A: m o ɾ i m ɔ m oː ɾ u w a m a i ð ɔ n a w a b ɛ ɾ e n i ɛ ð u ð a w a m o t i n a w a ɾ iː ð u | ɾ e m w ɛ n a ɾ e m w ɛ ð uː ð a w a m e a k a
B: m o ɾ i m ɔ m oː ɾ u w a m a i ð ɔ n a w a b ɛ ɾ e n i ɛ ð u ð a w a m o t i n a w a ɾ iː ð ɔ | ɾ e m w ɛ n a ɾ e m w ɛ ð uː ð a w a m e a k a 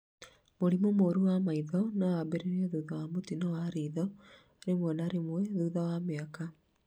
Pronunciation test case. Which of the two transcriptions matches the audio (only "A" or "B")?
B